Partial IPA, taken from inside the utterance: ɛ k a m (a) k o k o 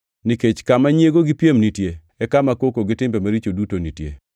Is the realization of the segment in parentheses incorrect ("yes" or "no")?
no